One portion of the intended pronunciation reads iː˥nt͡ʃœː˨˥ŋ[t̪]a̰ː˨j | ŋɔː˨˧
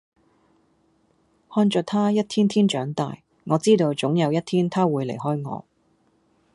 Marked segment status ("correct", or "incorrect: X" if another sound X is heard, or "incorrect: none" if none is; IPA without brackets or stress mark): correct